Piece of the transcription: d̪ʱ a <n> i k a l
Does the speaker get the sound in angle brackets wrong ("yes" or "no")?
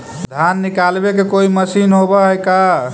yes